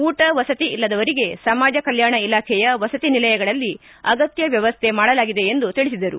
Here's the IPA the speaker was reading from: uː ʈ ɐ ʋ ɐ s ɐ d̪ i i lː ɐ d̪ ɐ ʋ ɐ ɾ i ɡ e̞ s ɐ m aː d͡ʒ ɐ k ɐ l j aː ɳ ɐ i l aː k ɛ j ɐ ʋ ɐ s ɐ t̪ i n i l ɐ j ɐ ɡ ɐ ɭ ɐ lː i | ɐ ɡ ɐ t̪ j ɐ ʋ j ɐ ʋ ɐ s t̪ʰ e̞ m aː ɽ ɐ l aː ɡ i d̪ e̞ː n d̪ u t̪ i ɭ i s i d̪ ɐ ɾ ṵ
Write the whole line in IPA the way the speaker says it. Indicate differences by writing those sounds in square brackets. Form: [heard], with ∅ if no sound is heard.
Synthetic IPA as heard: uː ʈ ɐ ʋ ɐ s ɐ [t̪] i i lː ɐ d̪ ɐ ʋ ɐ ɾ i ɡ e̞ s ɐ m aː d͡ʒ ɐ k ɐ l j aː ɳ ɐ i l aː [kʰ] ɛ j ɐ ʋ ɐ s ɐ t̪ i n i l ɐ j ɐ ɡ ɐ ɭ ɐ lː i | ɐ ɡ ɐ t̪ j ɐ ʋ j ɐ ʋ ɐ s t̪ʰ e̞ m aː ɽ ɐ l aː ɡ i d̪ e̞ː n d̪ u t̪ i ɭ i s i d̪ ɐ ɾ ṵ